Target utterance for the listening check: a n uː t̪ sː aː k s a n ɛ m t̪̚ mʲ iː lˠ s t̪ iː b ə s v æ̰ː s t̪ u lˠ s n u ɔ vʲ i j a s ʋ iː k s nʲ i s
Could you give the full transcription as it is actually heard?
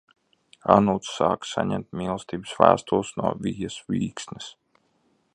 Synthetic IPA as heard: a n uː t̪ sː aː k s a ɲ ɛ m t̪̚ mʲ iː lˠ s t̪ iː b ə s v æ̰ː s t̪ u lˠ s n u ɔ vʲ i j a s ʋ iː k s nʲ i s